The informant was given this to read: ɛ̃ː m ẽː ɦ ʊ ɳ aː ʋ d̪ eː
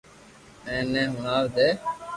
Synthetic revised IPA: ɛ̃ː n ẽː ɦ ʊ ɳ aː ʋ d̪ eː